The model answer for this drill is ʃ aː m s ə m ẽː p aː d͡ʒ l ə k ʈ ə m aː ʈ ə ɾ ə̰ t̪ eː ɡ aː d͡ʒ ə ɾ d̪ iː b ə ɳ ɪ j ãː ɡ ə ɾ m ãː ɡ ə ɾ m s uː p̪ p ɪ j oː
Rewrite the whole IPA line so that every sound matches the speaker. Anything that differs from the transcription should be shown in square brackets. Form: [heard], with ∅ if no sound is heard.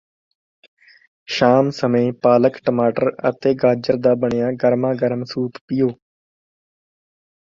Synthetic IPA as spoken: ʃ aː m s ə m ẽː p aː [∅] l ə k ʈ ə m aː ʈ ə ɾ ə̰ t̪ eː ɡ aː d͡ʒ ə ɾ d̪ [aː] b ə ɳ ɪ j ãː ɡ ə ɾ m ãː ɡ ə ɾ m s uː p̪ p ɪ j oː